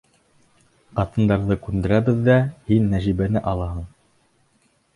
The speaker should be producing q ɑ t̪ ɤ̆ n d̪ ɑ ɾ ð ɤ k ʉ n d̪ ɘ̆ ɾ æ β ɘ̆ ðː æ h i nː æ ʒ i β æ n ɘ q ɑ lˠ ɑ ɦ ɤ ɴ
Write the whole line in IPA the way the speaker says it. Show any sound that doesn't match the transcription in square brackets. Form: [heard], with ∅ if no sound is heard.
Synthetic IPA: q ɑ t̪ ɤ̆ n d̪ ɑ ɾ ð ɤ k ʉ n d̪ ɘ̆ ɾ æ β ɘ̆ ðː æ h i nː æ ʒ i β æ n ɘ [ʔ] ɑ lˠ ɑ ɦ ɤ ɴ